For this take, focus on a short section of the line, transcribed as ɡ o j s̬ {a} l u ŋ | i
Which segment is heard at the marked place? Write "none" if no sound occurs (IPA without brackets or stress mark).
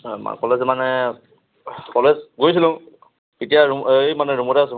i